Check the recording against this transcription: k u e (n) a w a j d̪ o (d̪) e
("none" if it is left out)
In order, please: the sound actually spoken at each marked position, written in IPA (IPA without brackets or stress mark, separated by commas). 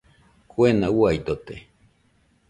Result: n, t̪